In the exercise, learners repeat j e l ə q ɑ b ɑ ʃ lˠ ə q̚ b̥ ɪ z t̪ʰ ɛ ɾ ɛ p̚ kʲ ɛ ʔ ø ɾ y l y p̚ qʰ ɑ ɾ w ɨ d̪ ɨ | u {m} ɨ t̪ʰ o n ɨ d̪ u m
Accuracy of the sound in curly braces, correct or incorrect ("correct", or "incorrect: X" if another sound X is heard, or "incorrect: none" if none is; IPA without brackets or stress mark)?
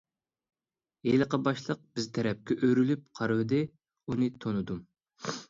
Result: incorrect: n